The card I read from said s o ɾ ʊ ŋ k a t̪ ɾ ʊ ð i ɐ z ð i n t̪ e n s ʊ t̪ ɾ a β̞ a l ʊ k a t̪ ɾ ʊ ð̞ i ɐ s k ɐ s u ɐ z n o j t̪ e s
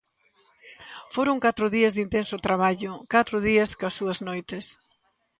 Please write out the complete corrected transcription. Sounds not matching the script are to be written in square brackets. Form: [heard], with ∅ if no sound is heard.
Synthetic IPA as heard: [f] o ɾ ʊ ŋ k a t̪ ɾ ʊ ð i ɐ z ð i n t̪ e n s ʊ t̪ ɾ a β̞ a [ʎ] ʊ k a t̪ ɾ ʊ ð̞ i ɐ s k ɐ s u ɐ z n o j t̪ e s